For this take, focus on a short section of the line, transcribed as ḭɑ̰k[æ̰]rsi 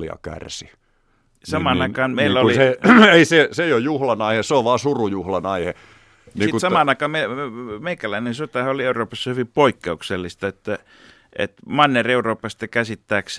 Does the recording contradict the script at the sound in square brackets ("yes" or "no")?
no